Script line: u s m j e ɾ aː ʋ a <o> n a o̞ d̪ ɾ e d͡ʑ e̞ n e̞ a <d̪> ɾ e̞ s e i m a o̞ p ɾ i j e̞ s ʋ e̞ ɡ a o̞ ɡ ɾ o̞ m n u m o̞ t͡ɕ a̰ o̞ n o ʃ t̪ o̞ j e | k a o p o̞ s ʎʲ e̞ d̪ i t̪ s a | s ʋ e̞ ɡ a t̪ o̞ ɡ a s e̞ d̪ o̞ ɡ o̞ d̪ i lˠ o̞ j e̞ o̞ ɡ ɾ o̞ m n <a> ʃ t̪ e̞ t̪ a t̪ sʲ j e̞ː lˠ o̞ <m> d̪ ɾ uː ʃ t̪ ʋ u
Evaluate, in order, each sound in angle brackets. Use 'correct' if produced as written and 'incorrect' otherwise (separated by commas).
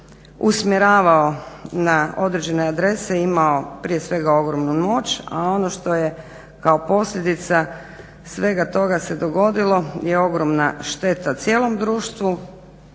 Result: correct, correct, correct, correct